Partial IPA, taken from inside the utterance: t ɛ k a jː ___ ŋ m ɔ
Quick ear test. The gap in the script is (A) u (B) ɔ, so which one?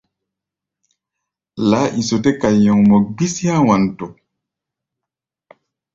B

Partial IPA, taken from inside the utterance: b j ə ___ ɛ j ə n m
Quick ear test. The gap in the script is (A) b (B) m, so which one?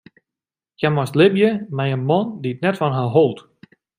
B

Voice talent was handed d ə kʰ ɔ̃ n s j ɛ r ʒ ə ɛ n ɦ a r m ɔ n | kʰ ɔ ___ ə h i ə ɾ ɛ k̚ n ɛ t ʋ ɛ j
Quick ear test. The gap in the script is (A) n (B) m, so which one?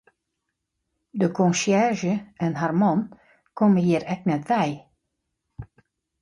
B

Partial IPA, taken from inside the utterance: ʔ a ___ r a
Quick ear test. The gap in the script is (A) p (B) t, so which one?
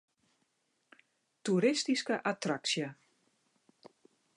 B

